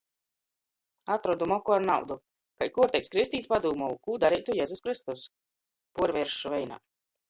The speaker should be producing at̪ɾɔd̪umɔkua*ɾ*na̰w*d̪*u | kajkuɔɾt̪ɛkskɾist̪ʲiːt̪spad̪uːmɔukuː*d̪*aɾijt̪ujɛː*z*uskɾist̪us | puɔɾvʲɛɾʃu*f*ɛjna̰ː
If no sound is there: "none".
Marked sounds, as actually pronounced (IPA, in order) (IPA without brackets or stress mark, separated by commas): ɾ, d̪, d̪, z, v